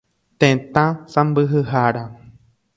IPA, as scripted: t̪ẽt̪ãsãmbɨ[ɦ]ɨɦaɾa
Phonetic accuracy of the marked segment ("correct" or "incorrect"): correct